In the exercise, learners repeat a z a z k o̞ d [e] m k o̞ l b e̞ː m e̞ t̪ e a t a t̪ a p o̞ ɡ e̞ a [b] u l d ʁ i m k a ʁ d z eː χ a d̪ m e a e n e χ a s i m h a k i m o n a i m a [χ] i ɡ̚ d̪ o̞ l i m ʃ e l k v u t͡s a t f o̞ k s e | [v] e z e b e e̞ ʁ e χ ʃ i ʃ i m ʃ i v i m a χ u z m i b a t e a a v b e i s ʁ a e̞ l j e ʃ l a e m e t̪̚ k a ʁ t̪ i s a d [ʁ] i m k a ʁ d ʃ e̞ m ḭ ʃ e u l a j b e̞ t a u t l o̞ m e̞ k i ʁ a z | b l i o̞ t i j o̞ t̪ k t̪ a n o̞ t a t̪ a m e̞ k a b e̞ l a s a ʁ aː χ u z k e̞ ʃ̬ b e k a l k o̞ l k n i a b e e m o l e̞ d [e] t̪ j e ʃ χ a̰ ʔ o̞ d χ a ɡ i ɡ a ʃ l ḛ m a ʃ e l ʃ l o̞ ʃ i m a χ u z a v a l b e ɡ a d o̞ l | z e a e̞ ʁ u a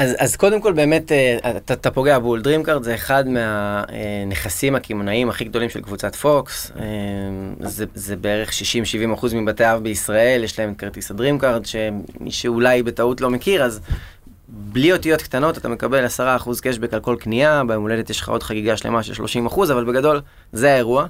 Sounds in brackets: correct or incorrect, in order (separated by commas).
correct, correct, correct, incorrect, correct, correct